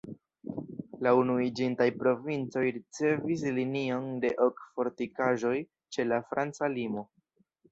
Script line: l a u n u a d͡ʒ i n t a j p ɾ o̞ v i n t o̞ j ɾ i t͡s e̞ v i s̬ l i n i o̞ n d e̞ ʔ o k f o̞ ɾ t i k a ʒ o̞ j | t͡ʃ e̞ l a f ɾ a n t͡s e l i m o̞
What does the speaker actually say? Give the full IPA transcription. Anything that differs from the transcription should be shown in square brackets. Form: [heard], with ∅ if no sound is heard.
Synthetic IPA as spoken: l a u n u [i] d͡ʒ i n t a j p ɾ o̞ v i n [t͡s] o̞ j ɾ i t͡s e̞ v i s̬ l i n i o̞ n d e̞ ʔ o k f o̞ ɾ t i k a ʒ o̞ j | t͡ʃ e̞ l a f ɾ a n t͡s [a] l i m o̞